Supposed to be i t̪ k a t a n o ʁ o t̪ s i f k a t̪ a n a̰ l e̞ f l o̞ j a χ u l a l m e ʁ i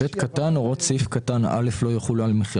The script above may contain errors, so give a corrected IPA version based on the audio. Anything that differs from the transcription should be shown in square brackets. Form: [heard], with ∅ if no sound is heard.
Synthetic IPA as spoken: [e] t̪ k a t a n o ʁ o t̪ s i f k a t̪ a n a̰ l e̞ f l o̞ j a χ u l a l m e [χ] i